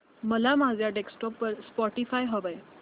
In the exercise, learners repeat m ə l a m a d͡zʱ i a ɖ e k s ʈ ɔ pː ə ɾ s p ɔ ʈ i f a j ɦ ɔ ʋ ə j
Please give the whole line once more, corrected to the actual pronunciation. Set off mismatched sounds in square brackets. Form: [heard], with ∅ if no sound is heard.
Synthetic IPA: m ə l a m a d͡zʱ [j] a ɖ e k s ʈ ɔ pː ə ɾ s p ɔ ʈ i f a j ɦ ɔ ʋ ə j